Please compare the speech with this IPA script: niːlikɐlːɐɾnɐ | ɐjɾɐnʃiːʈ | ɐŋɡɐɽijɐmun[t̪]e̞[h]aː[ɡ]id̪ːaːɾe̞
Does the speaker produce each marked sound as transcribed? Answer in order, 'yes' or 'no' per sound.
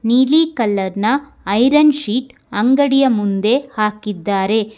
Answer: no, yes, no

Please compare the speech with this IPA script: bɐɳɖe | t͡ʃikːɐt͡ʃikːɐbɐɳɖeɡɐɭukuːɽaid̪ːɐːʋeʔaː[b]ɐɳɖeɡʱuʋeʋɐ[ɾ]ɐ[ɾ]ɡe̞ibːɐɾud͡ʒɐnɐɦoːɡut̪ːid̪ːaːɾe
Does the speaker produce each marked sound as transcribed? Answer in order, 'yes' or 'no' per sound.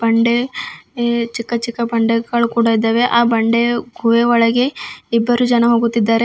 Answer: yes, no, no

